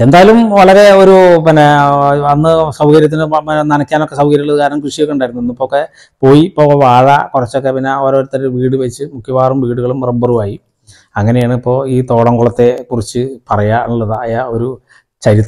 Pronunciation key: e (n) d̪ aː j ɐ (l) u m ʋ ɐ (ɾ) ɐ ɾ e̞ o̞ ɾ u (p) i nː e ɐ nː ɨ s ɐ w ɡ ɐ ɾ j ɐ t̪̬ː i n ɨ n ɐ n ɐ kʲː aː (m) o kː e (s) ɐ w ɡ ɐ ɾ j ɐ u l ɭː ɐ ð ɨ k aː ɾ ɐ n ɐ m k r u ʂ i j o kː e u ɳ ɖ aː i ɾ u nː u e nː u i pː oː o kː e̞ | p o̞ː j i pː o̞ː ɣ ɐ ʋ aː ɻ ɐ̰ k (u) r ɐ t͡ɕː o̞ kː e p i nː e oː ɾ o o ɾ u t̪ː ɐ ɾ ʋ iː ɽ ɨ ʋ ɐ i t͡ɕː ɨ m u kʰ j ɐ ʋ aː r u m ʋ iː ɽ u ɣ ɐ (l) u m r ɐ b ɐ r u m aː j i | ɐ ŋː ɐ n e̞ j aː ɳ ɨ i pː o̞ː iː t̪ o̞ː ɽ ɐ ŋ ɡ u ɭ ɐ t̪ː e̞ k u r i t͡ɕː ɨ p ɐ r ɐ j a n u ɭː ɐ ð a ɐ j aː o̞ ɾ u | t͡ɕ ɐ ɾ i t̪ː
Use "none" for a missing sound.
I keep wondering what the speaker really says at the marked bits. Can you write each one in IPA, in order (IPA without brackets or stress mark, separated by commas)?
n, l, ɭ, p, n, s, u, ɭ